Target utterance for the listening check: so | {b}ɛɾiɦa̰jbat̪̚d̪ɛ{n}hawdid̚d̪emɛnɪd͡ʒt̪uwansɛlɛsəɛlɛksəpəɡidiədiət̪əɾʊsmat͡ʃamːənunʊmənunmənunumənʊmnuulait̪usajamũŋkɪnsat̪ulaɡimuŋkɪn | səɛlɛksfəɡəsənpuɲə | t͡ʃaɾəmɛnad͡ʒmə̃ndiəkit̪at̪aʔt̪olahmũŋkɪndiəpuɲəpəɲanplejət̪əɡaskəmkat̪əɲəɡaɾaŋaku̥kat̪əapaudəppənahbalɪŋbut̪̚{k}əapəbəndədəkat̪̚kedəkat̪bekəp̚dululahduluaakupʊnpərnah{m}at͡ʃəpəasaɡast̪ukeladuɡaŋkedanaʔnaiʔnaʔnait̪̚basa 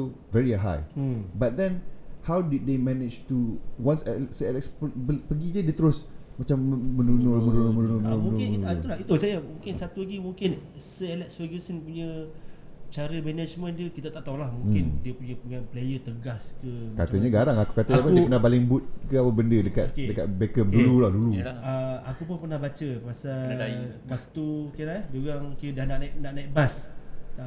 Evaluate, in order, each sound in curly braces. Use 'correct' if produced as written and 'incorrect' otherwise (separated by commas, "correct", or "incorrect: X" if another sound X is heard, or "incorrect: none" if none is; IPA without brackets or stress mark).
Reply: incorrect: v, correct, correct, incorrect: b